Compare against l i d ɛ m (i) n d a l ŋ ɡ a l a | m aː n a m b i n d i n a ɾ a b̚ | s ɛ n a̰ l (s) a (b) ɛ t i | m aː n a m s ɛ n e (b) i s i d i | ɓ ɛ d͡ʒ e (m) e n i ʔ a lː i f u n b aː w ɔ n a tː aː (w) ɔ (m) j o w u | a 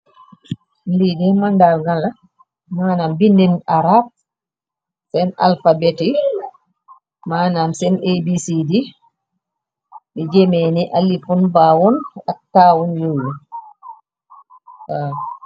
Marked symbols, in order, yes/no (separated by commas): no, no, yes, yes, yes, yes, no